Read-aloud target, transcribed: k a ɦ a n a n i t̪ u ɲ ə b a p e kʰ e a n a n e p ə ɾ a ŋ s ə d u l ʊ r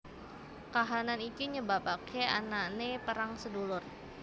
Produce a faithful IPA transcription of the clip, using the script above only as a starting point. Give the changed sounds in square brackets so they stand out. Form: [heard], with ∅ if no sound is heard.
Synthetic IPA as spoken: k a ɦ a n a n i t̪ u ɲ ə b a p [a] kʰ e a n a n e p ə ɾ a ŋ s ə d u l ʊ r